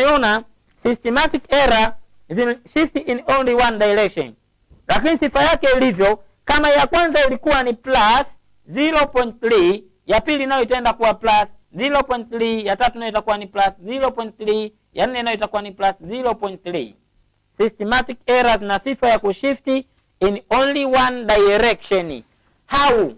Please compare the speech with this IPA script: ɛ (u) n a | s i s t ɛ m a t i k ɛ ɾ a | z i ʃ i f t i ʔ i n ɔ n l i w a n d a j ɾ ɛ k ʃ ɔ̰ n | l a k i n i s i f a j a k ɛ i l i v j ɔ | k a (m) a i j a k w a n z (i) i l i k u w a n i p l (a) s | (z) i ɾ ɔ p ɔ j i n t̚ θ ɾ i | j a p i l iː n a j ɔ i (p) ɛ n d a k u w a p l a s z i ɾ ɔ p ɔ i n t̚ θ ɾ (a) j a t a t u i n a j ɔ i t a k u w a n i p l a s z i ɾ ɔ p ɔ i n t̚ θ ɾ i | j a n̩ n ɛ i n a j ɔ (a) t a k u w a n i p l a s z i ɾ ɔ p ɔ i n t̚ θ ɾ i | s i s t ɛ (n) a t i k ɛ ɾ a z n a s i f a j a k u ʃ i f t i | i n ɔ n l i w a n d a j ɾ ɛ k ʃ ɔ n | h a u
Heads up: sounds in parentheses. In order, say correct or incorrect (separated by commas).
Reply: incorrect, correct, incorrect, correct, correct, incorrect, incorrect, incorrect, incorrect